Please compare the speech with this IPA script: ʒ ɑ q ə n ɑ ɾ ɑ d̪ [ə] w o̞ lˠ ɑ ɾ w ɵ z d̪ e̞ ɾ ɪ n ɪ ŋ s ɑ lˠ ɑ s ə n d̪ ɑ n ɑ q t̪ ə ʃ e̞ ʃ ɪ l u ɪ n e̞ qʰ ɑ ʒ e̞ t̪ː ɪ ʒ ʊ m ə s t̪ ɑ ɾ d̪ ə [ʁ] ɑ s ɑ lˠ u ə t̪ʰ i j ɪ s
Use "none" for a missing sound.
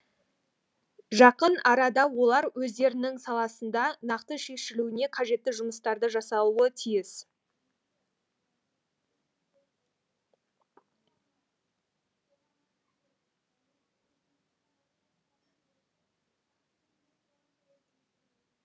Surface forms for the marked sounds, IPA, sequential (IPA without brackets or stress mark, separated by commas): ɑ, ʒ